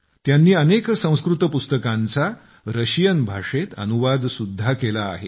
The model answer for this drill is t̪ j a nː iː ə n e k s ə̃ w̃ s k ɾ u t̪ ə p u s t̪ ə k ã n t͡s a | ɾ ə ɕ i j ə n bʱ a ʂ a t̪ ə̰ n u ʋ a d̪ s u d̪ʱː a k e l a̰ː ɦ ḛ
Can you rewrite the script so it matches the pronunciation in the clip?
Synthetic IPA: t̪ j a nː iː ə n e k s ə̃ w̃ s k ɾ u t̪ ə p u s t̪ ə k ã n t͡s a | ɾ ə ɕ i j ə n bʱ a ʂ e t̪ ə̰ n u ʋ a d̪ s u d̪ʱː a k e l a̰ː ɦ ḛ